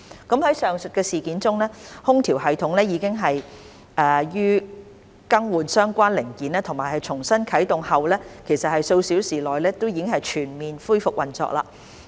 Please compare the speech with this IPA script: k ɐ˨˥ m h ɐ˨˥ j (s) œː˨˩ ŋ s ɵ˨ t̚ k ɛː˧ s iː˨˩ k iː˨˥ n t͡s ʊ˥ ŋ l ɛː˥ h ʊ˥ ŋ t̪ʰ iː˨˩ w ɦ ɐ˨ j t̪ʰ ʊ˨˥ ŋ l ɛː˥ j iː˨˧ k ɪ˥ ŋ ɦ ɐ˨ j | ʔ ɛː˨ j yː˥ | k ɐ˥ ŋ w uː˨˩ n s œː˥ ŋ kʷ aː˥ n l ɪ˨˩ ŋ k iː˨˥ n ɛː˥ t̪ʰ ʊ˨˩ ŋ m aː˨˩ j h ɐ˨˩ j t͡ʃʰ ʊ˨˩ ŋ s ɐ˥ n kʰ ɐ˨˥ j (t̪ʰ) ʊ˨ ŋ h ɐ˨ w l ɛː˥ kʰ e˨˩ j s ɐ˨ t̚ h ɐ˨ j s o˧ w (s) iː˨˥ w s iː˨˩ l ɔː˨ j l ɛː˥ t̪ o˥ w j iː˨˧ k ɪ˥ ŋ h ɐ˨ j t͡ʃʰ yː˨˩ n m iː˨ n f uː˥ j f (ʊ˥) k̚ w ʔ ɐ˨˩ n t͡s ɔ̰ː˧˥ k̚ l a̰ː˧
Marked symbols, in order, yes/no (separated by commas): yes, no, yes, no